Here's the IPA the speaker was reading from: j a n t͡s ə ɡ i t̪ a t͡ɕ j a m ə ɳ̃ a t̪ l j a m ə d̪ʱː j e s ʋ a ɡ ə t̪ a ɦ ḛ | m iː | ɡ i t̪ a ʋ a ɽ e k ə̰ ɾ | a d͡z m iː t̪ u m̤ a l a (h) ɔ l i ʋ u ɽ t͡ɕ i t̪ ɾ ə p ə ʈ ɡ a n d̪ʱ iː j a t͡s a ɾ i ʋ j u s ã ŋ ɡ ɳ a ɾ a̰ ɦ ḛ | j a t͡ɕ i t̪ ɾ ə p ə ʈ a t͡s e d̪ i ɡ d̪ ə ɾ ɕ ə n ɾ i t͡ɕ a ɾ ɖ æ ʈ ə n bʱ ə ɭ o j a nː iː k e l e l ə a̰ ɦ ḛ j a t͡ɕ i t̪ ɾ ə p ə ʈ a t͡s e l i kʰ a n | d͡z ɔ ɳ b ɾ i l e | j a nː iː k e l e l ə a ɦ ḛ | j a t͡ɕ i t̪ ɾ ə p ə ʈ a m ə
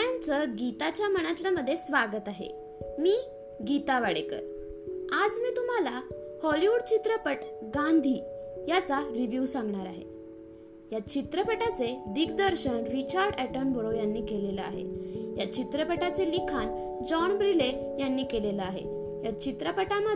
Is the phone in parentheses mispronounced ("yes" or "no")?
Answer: no